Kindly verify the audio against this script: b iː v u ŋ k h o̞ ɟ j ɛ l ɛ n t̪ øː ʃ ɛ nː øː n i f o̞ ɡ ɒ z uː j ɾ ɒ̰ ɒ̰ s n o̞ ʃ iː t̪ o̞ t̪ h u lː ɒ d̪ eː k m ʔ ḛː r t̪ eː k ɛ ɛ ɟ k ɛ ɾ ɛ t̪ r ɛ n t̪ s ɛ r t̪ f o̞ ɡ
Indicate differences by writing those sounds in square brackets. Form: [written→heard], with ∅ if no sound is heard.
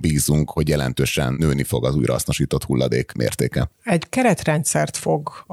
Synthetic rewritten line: b iː [v→z] u ŋ k h o̞ ɟ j ɛ l ɛ n t̪ øː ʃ ɛ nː øː n i f o̞ ɡ ɒ z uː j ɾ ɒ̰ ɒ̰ s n o̞ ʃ iː t̪ o̞ t̪ h u lː ɒ d̪ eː k m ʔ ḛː r t̪ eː k ɛ ɛ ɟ k ɛ ɾ ɛ t̪ r ɛ n t̪ s ɛ r t̪ f o̞ ɡ